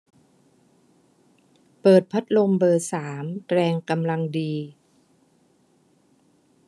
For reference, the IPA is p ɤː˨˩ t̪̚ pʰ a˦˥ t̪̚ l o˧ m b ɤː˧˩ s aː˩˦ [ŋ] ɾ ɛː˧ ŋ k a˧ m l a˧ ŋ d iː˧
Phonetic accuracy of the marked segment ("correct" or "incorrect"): incorrect